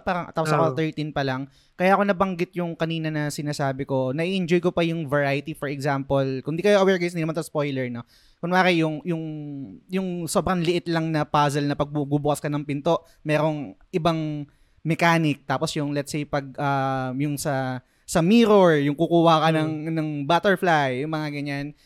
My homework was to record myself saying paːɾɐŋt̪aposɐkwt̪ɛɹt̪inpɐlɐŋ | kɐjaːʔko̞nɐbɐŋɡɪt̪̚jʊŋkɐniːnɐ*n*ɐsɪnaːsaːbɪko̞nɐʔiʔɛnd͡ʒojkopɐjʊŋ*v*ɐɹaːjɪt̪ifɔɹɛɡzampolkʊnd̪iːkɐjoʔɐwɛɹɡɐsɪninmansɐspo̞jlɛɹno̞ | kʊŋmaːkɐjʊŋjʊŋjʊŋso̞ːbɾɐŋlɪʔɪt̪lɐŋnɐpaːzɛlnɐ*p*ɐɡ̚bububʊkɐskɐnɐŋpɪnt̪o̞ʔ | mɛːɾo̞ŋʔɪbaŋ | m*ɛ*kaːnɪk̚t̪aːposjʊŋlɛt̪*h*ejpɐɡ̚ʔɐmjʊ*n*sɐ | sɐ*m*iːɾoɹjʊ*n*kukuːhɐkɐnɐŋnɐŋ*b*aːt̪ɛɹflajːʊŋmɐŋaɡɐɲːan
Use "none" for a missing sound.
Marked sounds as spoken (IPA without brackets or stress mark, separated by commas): n, v, p, ɛ, s, ŋ, m, ŋ, b